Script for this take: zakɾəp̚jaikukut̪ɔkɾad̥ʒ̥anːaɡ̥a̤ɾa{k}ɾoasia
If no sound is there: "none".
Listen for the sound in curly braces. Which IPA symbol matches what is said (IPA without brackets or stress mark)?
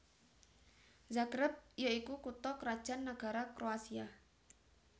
k